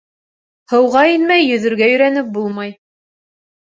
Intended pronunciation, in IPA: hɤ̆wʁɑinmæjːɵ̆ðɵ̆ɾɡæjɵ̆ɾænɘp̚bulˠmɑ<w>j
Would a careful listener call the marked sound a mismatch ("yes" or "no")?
yes